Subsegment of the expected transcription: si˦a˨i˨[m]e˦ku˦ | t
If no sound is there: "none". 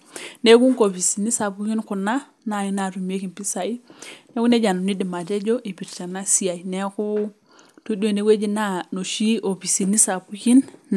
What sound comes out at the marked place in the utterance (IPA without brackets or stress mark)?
n